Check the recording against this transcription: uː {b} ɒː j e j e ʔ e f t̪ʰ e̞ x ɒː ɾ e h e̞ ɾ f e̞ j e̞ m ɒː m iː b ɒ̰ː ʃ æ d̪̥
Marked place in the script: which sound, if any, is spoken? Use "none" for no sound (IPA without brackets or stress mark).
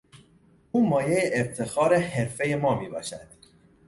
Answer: m